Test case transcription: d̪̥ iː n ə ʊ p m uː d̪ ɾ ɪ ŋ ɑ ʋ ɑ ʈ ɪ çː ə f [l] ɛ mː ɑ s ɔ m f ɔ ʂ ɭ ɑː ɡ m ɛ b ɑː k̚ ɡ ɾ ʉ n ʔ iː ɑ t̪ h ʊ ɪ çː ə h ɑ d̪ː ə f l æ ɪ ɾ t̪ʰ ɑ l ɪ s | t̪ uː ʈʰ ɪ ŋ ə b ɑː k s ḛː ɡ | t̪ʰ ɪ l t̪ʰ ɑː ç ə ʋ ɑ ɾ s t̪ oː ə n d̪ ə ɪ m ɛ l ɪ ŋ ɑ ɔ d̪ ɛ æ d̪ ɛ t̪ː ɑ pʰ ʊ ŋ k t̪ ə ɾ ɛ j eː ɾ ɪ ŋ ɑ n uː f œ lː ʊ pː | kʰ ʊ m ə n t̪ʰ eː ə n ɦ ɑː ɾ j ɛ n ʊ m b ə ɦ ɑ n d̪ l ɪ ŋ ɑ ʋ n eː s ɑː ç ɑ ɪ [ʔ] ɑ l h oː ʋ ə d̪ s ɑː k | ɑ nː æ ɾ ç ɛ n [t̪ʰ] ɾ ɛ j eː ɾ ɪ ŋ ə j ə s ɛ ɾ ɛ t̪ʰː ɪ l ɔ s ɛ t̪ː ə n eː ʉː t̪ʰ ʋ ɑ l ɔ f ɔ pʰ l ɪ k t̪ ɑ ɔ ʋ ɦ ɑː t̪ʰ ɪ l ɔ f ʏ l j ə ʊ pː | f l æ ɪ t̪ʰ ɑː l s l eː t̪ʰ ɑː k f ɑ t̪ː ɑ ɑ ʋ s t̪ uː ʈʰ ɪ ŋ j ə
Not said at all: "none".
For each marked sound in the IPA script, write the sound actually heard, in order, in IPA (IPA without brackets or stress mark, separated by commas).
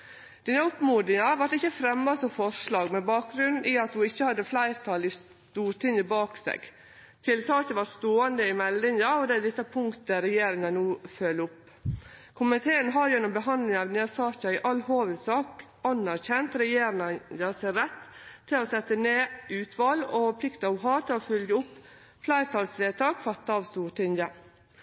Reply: ɾ, ʔ, t̪